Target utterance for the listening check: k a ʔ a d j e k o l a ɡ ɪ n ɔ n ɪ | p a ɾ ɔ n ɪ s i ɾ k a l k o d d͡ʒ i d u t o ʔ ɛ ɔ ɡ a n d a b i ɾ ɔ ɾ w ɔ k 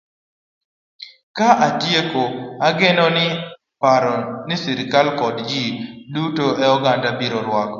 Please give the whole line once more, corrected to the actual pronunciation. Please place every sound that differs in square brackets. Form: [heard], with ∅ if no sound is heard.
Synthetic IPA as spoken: k a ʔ a [t] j e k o [∅] a ɡ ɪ n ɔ n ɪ | p a ɾ ɔ n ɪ s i ɾ k a l k [ɔ] d d͡ʒ i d u t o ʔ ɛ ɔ ɡ a n d a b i ɾ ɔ ɾ w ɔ k